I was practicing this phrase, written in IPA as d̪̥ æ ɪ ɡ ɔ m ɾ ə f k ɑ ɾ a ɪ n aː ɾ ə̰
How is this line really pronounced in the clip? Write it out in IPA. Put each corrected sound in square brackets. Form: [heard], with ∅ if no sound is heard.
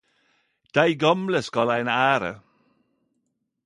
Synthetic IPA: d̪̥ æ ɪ ɡ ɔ m [l] ə [s] k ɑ [l] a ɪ n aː ɾ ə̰